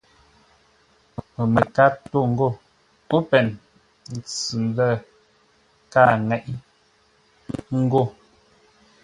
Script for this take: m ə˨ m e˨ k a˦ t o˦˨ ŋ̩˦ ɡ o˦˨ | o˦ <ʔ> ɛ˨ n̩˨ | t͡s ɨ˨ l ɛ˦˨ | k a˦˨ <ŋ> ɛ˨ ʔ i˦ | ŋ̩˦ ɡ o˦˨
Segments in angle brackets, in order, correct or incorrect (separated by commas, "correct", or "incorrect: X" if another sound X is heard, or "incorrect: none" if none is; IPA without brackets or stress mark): incorrect: p, correct